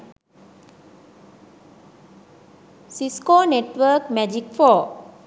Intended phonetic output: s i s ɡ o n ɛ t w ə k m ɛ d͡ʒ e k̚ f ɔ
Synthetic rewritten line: s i s k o n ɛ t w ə k m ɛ d͡ʒ i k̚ f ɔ